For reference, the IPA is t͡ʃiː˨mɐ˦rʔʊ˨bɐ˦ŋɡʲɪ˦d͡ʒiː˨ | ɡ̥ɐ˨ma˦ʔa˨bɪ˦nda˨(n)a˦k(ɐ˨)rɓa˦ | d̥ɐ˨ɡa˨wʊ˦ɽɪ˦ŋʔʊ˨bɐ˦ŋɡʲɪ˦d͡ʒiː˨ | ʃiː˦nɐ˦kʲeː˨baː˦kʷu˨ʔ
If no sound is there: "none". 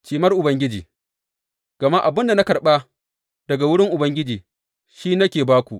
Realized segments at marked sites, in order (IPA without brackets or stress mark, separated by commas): n, ɐ˨